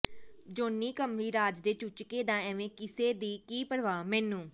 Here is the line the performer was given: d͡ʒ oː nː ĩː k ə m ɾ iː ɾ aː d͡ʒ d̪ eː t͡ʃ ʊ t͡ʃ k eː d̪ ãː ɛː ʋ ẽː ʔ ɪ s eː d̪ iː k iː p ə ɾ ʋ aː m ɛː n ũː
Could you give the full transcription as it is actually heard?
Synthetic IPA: d͡ʒ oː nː iː k ə m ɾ iː ɾ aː d͡ʒ d̪ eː t͡ʃ ʊ t͡ʃ k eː d̪ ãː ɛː ʋ ẽː k ɪ s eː d̪ iː k iː p ə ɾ ʋ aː m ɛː n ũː

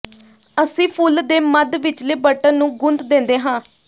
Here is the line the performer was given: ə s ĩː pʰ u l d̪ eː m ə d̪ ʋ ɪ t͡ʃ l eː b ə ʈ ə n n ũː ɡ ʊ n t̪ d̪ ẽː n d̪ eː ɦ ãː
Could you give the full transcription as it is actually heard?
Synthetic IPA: ə s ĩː pʰ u l d̪ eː m ə d̪ ʋ ɪ t͡ʃ l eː b ə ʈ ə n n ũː ɡ ʊ n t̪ d̪ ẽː n d̪ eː ɦ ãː

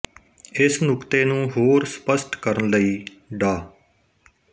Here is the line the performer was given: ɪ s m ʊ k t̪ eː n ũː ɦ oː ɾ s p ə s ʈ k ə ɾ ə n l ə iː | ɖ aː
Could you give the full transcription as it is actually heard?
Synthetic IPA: ɪ s n ʊ k t̪ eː n ũː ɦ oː ɾ s p ə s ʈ k ə ɾ ə n l ə iː | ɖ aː

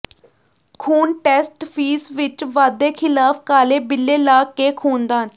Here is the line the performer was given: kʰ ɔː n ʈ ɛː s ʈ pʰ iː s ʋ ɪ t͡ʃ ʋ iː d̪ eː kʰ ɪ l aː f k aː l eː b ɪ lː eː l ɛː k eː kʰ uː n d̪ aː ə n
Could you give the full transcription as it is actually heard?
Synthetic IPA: kʰ uː n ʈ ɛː s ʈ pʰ iː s ʋ ɪ t͡ʃ ʋ aː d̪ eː kʰ ɪ l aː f k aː l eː b ɪ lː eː l aː k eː kʰ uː n d̪ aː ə n

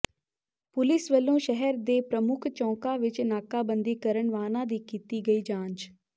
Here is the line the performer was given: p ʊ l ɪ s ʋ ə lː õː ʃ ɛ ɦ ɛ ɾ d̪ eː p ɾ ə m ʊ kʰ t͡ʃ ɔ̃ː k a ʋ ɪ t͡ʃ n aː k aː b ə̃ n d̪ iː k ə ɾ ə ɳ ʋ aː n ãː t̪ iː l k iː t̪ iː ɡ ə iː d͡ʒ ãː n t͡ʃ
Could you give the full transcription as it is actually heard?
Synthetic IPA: p ʊ l ɪ s ʋ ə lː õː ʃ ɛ ɦ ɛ ɾ d̪ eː p ɾ ə m ʊ kʰ t͡ʃ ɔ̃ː k a ʋ ɪ t͡ʃ n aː k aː b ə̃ n d̪ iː k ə ɾ ə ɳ ʋ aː n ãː d̪ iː k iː t̪ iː ɡ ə iː d͡ʒ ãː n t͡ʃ

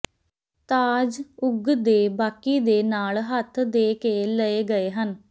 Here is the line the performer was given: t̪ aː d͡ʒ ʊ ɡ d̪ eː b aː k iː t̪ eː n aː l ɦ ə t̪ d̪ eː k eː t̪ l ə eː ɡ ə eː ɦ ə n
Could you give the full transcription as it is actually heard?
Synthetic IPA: t̪ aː d͡ʒ ʊ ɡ d̪ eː b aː k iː d̪ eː n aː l ɦ ə t̪ʰ d̪ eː k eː l ə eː ɡ ə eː ɦ ə n

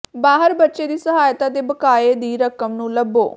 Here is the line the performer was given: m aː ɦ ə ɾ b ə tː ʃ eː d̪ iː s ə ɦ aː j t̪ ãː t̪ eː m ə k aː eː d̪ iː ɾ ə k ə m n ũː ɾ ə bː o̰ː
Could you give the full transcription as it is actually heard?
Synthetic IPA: b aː ɦ ə ɾ b ə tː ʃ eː d̪ iː s ə ɦ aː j t̪ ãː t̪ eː b ə k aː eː d̪ iː ɾ ə k ə m n ũː l ə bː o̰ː

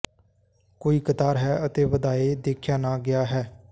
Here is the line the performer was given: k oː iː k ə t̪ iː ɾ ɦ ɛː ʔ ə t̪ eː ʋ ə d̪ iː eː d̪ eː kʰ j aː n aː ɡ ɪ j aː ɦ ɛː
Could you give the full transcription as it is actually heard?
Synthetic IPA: k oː iː k ə t̪ aː ɾ ɦ ɛː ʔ ə t̪ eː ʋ ə d̪ aː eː d̪ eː kʰ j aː n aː ɡ ɪ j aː ɦ ɛː

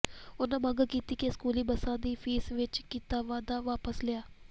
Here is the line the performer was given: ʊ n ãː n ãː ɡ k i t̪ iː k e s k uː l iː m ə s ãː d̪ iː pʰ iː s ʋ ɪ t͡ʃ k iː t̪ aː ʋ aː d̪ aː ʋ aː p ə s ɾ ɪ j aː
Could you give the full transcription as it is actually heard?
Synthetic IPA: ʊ n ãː m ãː ɡ k iː t̪ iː k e s k uː l iː b ə s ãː d̪ iː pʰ iː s ʋ ɪ t͡ʃ k iː t̪ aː ʋ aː d̪ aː ʋ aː p ə s l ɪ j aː

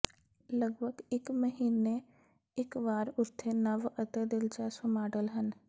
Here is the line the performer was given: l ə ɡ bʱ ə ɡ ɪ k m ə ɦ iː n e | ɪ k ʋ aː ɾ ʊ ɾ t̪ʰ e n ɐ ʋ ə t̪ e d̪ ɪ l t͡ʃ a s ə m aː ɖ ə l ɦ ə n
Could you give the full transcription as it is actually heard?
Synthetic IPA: l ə ɡ bʱ ə ɡ ɪ k m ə ɦ iː n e | ɪ k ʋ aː ɾ ʊ ɾ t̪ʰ e n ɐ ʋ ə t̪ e d̪ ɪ l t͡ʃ a s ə m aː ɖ ə l ɦ ə n

